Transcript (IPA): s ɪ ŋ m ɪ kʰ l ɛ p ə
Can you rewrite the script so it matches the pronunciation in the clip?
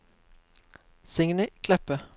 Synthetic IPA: s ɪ ŋ n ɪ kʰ l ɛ p ə